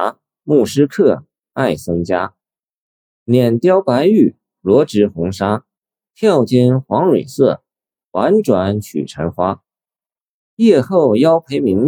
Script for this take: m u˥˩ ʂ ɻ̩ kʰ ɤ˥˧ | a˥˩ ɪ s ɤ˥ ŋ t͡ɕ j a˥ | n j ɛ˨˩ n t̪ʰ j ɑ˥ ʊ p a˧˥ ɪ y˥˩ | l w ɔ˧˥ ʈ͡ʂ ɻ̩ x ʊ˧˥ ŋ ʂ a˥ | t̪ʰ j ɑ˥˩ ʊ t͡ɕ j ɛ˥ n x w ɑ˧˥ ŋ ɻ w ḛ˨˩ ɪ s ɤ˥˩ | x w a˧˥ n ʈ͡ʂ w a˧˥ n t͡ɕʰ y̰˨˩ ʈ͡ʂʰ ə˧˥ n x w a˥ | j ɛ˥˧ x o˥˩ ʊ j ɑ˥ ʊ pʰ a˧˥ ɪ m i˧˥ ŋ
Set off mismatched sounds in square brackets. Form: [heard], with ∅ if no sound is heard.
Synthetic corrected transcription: m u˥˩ ʂ ɻ̩ kʰ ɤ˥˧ | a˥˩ ɪ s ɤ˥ ŋ t͡ɕ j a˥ | n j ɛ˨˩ n [t̪] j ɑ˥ ʊ p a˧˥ ɪ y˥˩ | l w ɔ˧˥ ʈ͡ʂ ɻ̩ x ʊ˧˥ ŋ ʂ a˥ | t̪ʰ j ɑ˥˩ ʊ t͡ɕ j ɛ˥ n x w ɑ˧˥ ŋ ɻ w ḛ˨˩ ɪ s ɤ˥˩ | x w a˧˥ n ʈ͡ʂ w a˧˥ n t͡ɕʰ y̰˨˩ ʈ͡ʂʰ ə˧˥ n x w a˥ | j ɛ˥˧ x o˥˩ ʊ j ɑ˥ ʊ pʰ [e˧˥] ɪ m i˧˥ ŋ